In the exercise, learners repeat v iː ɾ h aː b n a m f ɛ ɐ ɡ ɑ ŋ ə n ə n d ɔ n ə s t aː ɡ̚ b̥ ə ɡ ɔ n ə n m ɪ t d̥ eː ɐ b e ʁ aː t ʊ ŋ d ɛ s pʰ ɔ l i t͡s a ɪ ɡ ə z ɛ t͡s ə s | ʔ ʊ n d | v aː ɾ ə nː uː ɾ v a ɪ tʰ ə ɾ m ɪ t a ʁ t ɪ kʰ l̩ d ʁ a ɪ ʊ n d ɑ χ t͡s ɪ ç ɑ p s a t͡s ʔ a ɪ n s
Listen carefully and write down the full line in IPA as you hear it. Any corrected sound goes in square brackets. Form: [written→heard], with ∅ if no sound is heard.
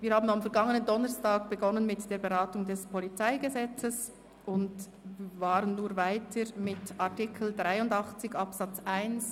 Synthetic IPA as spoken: v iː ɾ h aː b n a m f ɛ ɐ ɡ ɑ ŋ ə n ə n d ɔ n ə s t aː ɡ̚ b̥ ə ɡ ɔ n ə n m ɪ t d̥ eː ɐ b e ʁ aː t ʊ ŋ d ɛ s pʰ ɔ l i t͡s a ɪ ɡ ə z ɛ t͡s ə s | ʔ ʊ n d | v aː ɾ ə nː uː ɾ v a ɪ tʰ ə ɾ m ɪ t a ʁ t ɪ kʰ l̩ d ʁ a ɪ ʊ n d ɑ χ t͡s ɪ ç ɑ p s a t͡s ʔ a ɪ n s